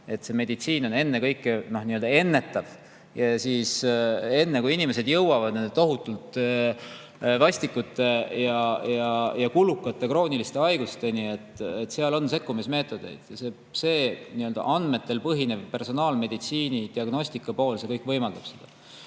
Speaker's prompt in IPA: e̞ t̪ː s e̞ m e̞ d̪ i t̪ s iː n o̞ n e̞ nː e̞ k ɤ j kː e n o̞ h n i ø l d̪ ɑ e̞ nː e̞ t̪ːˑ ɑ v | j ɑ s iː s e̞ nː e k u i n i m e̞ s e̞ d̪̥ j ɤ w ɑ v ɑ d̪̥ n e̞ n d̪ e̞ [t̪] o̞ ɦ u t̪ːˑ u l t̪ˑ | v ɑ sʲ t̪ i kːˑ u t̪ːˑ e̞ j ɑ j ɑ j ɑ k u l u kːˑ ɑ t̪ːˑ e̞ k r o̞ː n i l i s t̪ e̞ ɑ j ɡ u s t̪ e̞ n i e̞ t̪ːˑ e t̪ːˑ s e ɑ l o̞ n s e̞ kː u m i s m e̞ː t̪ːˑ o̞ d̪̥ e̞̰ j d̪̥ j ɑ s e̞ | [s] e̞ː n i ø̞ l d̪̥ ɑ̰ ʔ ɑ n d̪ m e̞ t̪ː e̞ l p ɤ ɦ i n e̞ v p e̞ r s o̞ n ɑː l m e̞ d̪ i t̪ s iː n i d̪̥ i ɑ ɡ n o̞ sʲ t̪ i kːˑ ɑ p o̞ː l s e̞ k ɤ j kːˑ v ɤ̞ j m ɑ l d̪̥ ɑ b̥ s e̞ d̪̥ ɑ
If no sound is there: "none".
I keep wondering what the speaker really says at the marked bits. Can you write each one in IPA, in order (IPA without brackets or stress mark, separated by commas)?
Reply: t̪, s